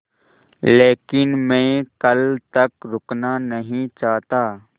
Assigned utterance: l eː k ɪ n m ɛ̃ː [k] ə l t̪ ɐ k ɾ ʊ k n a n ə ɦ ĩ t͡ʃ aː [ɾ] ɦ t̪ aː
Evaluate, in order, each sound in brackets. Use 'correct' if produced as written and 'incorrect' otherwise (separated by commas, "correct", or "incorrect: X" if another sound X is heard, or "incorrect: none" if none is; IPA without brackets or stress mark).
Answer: correct, incorrect: none